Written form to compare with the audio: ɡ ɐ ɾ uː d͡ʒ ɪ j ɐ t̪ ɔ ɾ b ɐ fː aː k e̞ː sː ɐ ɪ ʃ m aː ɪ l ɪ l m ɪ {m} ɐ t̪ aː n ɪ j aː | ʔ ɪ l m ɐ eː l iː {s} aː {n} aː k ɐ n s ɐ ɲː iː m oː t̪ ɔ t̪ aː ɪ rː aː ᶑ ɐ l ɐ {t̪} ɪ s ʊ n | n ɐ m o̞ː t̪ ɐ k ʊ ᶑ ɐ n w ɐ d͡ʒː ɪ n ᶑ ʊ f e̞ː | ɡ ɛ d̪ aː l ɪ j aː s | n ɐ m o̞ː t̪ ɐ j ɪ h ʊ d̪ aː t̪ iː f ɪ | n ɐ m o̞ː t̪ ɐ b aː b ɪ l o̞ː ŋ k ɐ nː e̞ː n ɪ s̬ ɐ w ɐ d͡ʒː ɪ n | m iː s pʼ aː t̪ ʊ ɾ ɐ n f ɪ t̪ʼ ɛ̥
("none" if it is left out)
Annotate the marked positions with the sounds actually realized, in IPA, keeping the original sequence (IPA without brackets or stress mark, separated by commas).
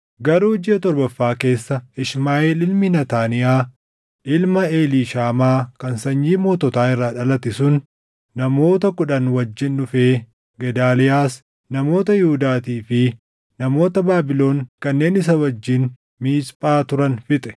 n, ʃ, m, t̪